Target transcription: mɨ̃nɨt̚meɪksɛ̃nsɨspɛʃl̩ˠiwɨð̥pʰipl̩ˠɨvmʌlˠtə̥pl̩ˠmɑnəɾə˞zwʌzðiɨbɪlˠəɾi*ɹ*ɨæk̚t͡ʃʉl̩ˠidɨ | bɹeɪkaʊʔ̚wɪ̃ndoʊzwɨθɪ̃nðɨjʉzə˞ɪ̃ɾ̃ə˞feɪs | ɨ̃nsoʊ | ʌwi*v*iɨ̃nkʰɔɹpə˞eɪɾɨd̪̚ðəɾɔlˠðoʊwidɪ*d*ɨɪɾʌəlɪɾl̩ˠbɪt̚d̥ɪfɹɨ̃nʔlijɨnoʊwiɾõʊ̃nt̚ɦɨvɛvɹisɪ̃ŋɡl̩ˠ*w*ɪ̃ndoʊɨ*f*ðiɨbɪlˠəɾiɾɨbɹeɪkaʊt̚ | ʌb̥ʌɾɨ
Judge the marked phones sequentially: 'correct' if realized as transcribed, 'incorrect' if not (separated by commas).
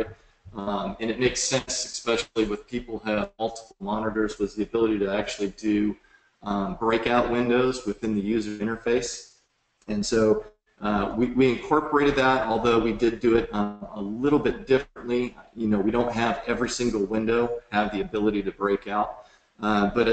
incorrect, incorrect, correct, correct, incorrect